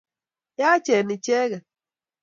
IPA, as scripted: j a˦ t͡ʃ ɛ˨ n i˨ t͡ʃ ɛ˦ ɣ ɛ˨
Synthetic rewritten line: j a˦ t͡ʃ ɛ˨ n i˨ t͡ʃ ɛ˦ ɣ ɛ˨